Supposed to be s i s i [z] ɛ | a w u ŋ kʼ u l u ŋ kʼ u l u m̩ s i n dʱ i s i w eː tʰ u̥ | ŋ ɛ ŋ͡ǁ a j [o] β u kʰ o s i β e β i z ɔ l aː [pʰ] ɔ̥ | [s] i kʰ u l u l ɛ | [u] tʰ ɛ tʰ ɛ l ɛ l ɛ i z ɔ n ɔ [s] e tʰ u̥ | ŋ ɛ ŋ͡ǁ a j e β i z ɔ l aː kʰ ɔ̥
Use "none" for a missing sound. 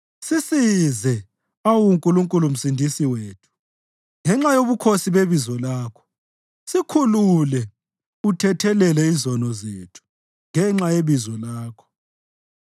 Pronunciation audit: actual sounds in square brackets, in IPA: z, o, kʰ, s, u, z

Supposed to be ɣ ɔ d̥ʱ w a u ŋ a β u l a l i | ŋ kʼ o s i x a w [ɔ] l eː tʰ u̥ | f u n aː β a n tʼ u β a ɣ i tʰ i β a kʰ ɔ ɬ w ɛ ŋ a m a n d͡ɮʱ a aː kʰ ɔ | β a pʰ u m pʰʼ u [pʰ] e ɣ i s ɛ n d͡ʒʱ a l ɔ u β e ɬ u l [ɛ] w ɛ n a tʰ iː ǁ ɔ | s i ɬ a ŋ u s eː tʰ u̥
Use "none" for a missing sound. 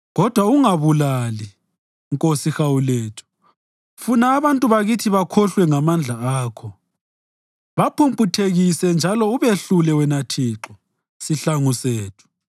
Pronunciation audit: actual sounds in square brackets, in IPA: u, tʰ, ɛ

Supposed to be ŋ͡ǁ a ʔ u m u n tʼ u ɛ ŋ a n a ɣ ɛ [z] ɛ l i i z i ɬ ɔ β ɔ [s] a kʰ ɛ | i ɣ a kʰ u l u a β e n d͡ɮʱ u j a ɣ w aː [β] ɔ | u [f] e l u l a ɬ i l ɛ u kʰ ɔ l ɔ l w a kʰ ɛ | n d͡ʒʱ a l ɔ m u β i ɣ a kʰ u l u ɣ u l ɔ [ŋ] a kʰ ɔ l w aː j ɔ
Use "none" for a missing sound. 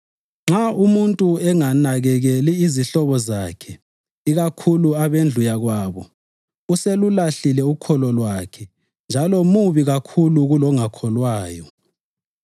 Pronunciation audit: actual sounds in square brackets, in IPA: ɣ, z, β, s, ŋ

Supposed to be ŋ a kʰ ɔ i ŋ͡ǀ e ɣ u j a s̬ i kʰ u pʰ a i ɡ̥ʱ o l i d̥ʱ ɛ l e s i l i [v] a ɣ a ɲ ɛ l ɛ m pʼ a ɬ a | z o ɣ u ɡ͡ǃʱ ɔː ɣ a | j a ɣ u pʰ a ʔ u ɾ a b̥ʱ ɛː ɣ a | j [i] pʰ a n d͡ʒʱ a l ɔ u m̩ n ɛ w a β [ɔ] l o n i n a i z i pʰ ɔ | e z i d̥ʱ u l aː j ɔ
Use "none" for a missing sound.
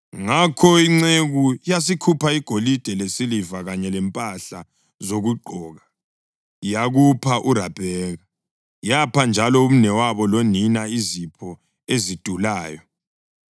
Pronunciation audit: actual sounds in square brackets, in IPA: v, a, ɔ

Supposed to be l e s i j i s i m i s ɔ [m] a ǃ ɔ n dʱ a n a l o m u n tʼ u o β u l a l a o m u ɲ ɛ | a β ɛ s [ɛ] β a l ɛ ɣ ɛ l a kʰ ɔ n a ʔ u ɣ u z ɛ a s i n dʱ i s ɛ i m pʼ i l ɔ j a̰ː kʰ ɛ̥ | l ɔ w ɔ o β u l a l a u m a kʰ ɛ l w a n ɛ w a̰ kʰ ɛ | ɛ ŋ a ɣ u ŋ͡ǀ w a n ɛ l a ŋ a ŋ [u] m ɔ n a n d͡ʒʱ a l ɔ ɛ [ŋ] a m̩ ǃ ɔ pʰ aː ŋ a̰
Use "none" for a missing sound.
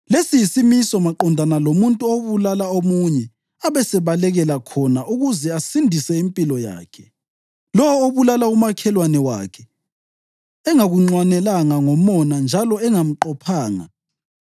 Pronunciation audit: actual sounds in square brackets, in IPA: m, ɛ, ɔ, ŋ

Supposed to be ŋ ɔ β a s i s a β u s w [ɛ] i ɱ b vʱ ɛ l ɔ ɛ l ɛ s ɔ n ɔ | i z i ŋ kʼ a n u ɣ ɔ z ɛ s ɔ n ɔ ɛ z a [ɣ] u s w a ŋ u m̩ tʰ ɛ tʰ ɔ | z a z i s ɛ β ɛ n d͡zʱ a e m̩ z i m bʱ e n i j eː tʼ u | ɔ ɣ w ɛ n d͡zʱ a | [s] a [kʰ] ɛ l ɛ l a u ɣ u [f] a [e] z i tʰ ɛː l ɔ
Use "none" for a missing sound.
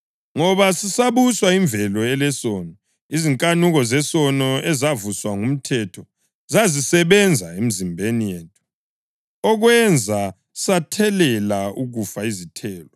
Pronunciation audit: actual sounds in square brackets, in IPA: a, v, s, tʰ, f, i

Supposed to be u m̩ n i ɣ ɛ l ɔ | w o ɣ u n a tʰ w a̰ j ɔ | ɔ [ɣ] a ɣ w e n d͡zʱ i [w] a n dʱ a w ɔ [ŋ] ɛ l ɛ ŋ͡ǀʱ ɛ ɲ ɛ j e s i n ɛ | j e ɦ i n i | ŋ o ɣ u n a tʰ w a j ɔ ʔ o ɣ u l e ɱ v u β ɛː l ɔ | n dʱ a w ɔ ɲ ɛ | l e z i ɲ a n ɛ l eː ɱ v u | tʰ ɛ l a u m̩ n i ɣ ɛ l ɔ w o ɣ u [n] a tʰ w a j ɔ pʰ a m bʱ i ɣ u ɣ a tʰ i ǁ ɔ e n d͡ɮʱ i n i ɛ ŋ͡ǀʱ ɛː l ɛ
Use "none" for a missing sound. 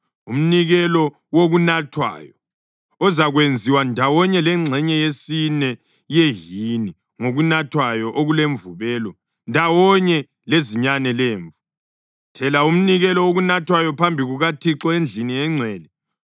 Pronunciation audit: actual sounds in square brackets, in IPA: z, w, ɲ, n

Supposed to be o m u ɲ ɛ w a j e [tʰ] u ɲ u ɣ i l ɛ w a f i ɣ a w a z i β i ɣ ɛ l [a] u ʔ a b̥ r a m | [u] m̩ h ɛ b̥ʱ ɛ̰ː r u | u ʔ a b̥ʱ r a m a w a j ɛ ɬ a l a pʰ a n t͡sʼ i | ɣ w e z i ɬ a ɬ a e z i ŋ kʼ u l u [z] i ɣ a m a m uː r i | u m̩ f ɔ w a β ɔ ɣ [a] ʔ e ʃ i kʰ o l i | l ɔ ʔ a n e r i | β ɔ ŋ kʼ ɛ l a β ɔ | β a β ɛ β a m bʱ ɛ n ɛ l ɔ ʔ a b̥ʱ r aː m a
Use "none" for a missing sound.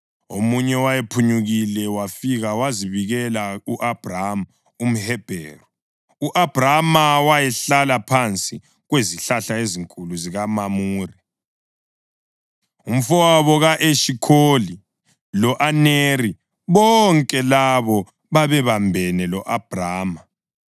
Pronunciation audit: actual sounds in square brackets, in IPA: pʰ, a, u, z, a

